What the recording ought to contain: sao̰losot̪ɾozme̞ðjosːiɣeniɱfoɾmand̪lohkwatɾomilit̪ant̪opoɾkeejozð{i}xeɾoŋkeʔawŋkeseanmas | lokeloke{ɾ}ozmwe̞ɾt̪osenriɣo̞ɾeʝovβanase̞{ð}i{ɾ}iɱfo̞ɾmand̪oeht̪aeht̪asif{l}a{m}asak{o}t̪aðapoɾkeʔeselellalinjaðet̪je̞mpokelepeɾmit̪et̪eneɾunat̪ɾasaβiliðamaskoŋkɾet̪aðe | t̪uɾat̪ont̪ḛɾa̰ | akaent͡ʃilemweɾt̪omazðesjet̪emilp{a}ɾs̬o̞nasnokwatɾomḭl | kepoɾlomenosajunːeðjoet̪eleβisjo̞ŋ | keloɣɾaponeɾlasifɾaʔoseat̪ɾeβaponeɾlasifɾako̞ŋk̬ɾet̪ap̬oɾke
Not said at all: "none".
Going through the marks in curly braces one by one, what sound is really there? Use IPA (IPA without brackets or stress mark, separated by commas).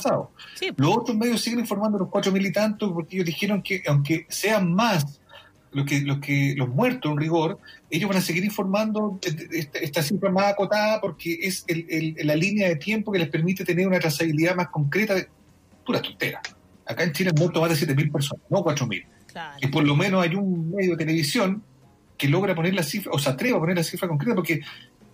i, l, ɣ, ɾ, ɾ, m, o, e